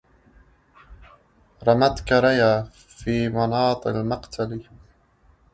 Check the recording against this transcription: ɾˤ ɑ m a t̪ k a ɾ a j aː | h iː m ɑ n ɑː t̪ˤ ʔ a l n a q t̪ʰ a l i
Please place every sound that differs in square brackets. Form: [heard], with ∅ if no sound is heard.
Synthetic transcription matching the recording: ɾˤ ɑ m a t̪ k a ɾ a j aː | [f] iː m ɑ n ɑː t̪ˤ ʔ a l [m] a q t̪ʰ a l i